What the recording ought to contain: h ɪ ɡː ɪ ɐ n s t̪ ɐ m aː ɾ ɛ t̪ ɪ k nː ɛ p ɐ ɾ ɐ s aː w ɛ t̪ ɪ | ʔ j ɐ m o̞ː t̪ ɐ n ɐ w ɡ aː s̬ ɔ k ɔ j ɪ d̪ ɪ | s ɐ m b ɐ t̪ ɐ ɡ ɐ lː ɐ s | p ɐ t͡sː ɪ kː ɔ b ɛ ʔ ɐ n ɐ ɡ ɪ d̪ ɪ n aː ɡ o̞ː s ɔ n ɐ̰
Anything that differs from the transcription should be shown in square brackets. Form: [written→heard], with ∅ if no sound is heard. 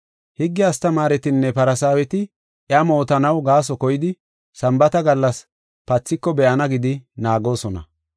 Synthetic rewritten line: h ɪ ɡː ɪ ɐ [n→∅] s t̪ ɐ m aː ɾ ɛ t̪ ɪ [k→∅] nː ɛ p ɐ ɾ ɐ s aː w ɛ t̪ ɪ | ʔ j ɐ m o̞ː t̪ ɐ n ɐ w ɡ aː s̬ ɔ k ɔ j ɪ d̪ ɪ | s ɐ m b ɐ t̪ ɐ ɡ ɐ lː ɐ s | p ɐ t͡sː ɪ kː ɔ b ɛ ʔ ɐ n ɐ ɡ ɪ d̪ ɪ n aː ɡ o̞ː s ɔ n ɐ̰